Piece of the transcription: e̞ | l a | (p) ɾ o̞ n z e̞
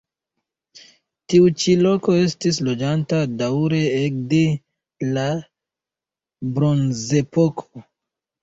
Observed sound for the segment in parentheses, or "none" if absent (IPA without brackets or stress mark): b